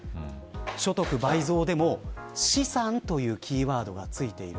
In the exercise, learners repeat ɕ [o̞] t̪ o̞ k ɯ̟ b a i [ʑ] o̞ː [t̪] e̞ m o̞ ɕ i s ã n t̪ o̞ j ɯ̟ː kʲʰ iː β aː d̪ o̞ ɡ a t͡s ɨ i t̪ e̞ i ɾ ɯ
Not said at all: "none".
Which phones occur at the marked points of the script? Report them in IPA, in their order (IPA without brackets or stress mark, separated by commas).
o̞, z, d̪